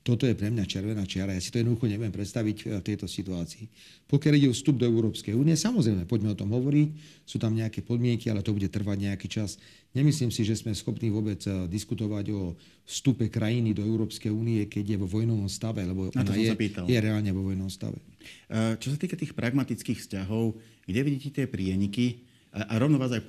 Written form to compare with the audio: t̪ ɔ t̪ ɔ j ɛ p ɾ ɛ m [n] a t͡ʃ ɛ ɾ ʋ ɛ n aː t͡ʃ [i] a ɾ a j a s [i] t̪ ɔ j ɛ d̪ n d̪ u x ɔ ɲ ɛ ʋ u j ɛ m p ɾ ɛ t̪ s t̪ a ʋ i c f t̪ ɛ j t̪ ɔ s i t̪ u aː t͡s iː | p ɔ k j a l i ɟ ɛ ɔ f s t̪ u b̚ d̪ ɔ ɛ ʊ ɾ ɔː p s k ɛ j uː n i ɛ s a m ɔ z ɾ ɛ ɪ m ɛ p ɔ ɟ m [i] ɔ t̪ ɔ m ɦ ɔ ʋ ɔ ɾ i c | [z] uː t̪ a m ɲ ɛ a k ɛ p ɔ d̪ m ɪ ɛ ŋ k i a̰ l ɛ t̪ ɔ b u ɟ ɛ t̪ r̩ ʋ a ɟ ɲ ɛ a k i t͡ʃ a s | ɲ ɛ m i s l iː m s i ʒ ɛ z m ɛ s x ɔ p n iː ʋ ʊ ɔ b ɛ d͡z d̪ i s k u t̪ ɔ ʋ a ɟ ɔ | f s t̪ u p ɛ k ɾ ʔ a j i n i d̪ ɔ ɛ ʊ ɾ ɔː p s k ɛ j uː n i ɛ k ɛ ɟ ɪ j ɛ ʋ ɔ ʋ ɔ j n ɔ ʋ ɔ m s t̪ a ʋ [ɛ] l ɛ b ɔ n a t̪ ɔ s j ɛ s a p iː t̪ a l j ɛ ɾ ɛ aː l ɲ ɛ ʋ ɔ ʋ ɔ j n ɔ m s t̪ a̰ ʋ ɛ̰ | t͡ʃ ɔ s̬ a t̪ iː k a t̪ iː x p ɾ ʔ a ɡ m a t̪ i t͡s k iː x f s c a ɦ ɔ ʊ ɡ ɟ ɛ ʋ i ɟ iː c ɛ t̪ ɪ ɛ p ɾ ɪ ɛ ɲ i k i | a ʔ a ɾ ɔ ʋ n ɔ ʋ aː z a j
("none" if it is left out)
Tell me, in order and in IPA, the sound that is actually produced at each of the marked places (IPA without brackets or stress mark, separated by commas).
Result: ɲ, ɪ, i, ɛ, s, ɛ